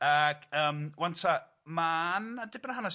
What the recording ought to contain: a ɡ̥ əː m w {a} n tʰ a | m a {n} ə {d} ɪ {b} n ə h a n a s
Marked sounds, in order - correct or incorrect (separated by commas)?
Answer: correct, correct, correct, correct